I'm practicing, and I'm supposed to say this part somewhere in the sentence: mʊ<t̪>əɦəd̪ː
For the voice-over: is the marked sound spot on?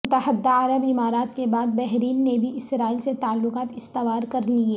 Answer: yes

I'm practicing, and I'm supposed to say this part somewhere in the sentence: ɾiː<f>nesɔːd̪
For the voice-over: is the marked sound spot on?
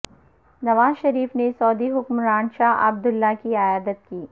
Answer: yes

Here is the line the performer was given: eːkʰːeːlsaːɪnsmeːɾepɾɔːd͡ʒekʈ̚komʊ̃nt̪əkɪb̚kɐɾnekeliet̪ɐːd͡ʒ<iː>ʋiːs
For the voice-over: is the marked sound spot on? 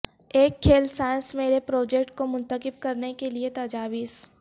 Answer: no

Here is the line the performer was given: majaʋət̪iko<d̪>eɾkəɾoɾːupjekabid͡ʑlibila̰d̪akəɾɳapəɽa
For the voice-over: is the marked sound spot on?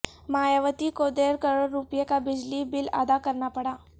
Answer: yes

